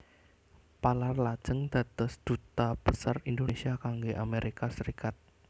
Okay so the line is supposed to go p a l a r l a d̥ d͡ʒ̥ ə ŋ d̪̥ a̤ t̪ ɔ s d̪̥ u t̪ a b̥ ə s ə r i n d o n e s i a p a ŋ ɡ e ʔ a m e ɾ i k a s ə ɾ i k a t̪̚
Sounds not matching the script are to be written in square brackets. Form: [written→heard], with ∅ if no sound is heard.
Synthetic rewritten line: p a l a r l a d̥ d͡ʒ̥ ə ŋ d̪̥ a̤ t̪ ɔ s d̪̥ u t̪ a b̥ ə s [ə→a] r i n d o n e s i a [p→k] a ŋ ɡ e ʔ a m e ɾ i k a s ə ɾ i k a t̪̚